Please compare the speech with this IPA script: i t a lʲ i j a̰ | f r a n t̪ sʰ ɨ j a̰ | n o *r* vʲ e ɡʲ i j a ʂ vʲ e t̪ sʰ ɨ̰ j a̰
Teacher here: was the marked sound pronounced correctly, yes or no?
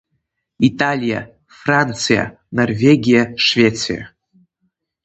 yes